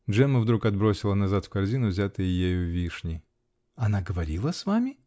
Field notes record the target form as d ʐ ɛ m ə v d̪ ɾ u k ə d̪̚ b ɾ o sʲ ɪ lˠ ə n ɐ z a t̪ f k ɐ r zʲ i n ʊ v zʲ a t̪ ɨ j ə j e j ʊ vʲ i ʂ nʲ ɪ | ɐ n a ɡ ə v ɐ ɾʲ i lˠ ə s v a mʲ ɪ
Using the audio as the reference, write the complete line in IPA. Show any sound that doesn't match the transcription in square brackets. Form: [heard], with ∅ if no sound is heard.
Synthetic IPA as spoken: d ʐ ɛ m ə v d̪ ɾ u k [ɐ] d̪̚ b ɾ o sʲ ɪ lˠ ə n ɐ z a t̪ f k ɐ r zʲ i n ʊ v zʲ a t̪ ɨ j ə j e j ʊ vʲ i ʂ nʲ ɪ | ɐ n a ɡ ə v ɐ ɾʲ i lˠ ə s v a mʲ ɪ